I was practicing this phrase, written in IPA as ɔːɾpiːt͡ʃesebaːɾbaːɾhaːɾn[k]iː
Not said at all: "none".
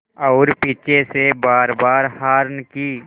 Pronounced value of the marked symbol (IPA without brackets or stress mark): k